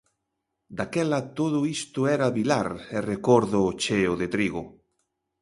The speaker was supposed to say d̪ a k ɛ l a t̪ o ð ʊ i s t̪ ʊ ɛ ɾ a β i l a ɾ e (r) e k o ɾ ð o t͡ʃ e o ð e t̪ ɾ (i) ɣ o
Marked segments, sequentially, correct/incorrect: correct, correct

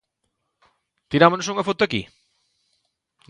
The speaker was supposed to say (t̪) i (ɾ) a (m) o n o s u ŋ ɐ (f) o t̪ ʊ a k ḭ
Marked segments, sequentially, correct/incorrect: correct, correct, correct, correct

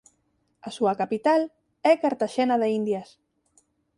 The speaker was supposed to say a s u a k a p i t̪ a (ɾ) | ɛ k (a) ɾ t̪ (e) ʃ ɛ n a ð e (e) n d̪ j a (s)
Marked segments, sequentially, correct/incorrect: incorrect: l, correct, incorrect: a, incorrect: i, correct

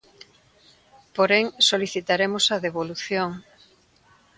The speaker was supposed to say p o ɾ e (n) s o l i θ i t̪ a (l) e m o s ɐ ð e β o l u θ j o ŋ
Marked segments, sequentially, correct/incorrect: incorrect: ŋ, incorrect: ɾ

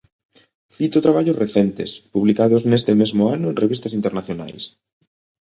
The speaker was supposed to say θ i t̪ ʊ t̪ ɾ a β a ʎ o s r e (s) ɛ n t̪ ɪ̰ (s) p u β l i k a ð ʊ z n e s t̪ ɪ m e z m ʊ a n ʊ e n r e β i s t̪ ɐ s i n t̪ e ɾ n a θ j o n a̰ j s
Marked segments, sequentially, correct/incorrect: incorrect: θ, correct

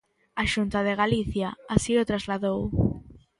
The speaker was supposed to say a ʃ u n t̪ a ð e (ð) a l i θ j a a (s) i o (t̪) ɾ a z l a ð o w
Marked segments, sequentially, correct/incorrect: incorrect: ɣ, correct, correct

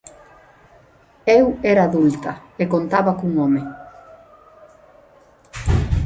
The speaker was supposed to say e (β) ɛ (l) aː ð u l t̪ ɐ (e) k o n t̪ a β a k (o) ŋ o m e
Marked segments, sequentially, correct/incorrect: incorrect: w, incorrect: ɾ, correct, incorrect: u

